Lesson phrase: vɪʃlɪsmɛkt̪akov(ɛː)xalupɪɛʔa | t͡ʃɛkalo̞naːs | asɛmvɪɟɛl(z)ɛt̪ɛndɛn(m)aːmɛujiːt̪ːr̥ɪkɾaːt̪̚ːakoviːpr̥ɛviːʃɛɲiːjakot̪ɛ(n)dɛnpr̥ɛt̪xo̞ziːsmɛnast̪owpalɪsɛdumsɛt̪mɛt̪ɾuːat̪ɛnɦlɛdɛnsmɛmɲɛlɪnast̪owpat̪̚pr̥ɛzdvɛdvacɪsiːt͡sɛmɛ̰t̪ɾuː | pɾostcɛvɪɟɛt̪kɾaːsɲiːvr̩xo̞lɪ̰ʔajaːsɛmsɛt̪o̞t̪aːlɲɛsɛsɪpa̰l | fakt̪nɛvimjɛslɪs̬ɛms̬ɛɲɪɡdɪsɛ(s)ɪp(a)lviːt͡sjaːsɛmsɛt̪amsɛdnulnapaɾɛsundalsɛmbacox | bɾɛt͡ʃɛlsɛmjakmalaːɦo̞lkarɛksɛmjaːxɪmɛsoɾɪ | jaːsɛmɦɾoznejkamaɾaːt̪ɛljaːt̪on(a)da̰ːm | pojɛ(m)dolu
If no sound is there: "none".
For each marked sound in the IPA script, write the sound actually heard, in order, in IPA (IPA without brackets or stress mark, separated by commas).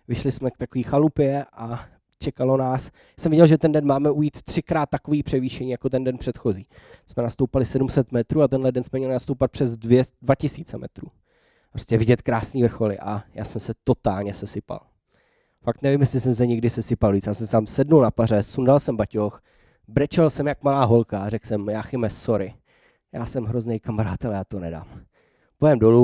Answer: iː, ʒ, m, n, s, a, ɛ, m